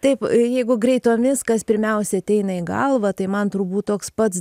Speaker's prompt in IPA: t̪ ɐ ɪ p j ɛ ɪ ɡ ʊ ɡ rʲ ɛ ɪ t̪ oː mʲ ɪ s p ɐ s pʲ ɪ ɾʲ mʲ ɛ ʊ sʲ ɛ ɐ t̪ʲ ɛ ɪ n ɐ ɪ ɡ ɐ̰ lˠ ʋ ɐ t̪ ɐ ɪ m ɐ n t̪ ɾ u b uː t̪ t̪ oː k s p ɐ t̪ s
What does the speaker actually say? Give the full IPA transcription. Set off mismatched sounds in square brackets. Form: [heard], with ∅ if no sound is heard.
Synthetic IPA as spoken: t̪ ɐ ɪ p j ɛ ɪ ɡ ʊ ɡ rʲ ɛ ɪ t̪ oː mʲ ɪ s [k] ɐ s pʲ ɪ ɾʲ mʲ ɛ ʊ sʲ ɛ ɐ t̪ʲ ɛ ɪ n ɐ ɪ ɡ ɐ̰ lˠ ʋ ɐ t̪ ɐ ɪ m ɐ n t̪ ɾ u b uː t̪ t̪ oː k s p ɐ t̪ s